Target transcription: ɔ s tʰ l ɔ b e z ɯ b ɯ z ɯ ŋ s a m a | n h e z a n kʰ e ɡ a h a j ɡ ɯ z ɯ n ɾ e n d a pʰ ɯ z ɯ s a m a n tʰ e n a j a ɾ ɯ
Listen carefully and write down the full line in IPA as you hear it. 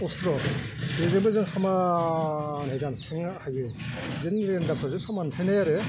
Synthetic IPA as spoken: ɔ s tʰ ɾ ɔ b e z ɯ b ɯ z ɯ ŋ s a m a | n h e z a n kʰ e ŋ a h a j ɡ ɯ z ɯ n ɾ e n d a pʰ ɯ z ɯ s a m a n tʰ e n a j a ɾ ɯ